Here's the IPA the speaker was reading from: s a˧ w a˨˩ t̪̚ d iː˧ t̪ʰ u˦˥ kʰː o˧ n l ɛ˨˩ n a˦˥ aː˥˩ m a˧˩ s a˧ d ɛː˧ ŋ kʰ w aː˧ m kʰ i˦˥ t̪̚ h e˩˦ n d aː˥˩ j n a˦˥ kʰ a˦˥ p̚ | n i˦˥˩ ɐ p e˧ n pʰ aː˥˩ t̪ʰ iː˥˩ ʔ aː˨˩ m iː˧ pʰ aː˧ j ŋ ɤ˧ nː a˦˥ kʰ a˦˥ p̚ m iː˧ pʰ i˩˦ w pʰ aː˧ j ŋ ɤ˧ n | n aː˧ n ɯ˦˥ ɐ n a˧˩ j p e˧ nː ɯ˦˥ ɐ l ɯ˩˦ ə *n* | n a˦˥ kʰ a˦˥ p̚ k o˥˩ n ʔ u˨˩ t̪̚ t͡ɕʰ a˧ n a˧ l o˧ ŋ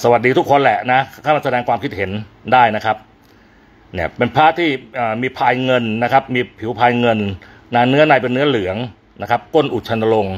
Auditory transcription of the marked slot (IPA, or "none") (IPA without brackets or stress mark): ŋ